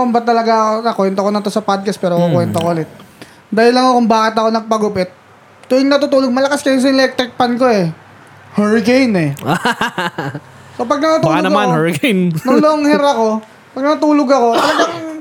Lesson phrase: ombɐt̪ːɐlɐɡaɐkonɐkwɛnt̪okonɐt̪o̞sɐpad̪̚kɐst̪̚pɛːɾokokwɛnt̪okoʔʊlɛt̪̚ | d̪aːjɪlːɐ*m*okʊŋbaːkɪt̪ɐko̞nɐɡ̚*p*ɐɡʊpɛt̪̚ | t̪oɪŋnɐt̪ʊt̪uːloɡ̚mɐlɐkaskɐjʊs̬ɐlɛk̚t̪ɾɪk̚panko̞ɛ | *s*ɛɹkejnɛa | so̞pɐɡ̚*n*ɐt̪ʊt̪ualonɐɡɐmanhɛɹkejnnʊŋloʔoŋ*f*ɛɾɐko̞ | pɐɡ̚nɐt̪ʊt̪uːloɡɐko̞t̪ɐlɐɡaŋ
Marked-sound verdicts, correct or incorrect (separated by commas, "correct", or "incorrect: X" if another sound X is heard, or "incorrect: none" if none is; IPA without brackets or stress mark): incorrect: ŋ, correct, incorrect: h, correct, incorrect: h